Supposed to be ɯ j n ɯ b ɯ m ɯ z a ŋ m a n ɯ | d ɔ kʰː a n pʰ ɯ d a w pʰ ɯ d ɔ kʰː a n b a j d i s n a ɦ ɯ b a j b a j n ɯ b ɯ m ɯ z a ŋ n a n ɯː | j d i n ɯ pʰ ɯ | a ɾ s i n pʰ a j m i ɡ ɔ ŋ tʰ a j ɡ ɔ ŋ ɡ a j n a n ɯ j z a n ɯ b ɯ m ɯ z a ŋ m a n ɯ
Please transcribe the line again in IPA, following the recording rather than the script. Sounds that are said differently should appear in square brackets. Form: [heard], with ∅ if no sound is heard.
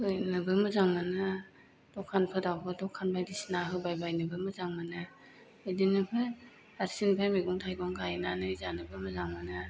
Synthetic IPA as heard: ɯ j n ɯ b ɯ m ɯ z a ŋ m a n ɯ | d ɔ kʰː a n pʰ ɯ d a w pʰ ɯ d ɔ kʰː a n b a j d i s n a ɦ ɯ b a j b a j n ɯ b ɯ m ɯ z a ŋ [m] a n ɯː | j d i n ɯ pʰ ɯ | a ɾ s i n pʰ a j m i ɡ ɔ ŋ tʰ a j ɡ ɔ ŋ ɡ a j n a n ɯ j z a n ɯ b ɯ m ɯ z a ŋ m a n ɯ